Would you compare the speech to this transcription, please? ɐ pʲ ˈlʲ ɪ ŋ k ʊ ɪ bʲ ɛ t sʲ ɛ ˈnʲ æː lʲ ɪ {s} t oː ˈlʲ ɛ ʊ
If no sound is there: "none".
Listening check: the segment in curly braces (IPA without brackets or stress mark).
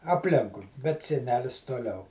s